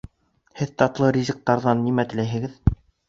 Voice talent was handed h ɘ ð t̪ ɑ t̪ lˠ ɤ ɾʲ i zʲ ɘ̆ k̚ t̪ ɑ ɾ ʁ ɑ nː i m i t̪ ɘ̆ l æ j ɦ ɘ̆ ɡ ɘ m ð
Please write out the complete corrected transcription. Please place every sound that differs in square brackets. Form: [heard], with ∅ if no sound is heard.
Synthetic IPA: h ɘ ð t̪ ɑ t̪ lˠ ɤ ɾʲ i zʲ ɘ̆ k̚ t̪ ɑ ɾ [ð] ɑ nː i m [æ] t̪ ɘ̆ l æ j ɦ ɘ̆ ɡ ɘ [∅] ð